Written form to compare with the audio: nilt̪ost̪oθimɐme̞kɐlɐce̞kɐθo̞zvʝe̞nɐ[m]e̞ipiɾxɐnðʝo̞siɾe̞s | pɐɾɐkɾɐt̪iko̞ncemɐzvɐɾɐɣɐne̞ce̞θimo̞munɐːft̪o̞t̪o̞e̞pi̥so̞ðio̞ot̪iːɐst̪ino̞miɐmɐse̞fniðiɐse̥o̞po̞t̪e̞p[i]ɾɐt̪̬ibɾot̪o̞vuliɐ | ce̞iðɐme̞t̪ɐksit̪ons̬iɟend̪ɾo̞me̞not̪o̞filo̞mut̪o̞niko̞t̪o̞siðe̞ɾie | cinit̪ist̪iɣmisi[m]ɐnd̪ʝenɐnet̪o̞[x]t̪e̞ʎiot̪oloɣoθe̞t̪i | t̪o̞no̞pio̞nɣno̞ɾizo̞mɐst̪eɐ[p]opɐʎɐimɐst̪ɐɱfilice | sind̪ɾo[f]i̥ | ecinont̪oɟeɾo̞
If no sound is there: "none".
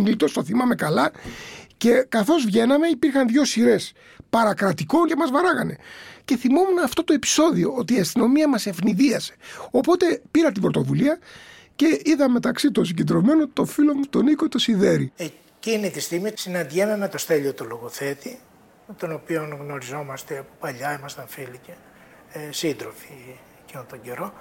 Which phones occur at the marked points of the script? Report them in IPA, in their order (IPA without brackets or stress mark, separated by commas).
m, i, n, s, p, f